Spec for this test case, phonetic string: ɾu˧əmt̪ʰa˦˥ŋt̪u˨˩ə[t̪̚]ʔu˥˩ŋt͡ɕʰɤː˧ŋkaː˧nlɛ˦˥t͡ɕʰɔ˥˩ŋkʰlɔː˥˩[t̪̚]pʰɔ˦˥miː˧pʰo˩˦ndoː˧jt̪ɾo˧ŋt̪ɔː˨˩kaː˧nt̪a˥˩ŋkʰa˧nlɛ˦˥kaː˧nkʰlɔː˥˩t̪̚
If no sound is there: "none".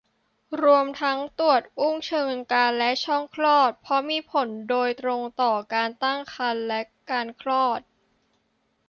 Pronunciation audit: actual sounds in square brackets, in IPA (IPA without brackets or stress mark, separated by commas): t̪̚, t̪̚